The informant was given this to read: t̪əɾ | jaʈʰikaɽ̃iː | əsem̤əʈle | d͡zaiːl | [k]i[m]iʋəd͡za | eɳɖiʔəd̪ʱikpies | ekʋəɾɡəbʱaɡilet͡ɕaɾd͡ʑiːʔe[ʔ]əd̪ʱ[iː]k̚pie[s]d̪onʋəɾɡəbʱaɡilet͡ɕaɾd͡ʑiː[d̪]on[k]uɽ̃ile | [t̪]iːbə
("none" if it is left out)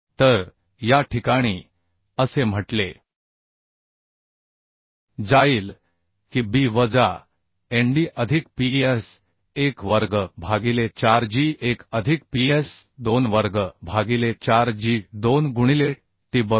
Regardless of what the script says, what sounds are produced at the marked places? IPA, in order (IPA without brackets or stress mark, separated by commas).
k, b, k, i, s, d̪, ɡ, t̪